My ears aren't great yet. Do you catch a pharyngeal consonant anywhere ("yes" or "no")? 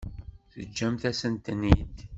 no